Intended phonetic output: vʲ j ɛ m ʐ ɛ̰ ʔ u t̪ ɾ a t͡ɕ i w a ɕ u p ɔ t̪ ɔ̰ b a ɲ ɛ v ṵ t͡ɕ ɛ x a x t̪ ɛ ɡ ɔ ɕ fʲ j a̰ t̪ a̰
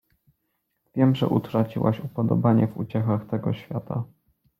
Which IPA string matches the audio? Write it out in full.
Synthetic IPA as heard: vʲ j ɛ m ʐ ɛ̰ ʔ u t̪ ɾ a t͡ɕ i w a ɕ u p ɔ d̪ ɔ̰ b a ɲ ɛ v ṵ t͡ɕ ɛ x a x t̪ ɛ ɡ ɔ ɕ fʲ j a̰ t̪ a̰